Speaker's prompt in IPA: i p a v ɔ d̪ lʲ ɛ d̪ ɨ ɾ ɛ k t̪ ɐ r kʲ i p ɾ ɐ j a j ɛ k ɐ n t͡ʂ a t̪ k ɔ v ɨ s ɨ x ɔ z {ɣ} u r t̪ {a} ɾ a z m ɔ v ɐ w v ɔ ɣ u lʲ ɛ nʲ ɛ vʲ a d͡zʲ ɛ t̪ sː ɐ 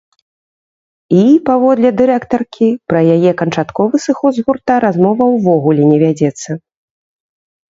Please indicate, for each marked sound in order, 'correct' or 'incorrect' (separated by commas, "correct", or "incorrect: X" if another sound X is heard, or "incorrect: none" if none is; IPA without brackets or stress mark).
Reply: correct, correct